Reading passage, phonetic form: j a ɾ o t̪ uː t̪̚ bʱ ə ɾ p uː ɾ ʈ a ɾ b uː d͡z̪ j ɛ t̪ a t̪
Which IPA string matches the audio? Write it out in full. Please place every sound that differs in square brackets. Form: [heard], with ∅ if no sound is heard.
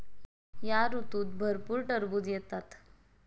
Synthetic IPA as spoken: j a ɾ [u] t̪ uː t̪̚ bʱ ə ɾ p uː ɾ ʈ [ə] ɾ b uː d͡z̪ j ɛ t̪ a t̪